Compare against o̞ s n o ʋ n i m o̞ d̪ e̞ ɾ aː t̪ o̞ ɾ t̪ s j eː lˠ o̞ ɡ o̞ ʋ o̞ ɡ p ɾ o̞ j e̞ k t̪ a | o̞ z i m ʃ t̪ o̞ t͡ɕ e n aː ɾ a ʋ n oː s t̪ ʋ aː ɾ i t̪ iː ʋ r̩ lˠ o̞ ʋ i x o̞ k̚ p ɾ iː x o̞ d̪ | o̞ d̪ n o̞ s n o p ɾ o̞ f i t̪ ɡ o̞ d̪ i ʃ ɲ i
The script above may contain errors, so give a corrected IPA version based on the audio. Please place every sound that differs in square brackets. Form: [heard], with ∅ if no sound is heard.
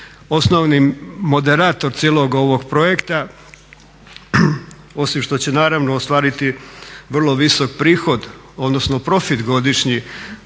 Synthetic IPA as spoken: o̞ s n o ʋ n i m o̞ d̪ e̞ ɾ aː t̪ o̞ ɾ t̪ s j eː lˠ o̞ ɡ o̞ ʋ o̞ ɡ p ɾ o̞ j e̞ k t̪ a | o̞ [s] i m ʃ t̪ o̞ t͡ɕ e n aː ɾ a ʋ n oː s t̪ ʋ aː ɾ i t̪ [i] ʋ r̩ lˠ o̞ ʋ i [s] o̞ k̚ p ɾ iː x o̞ d̪ | o̞ d̪ n o̞ s n o p ɾ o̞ f i t̪ ɡ o̞ d̪ i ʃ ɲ i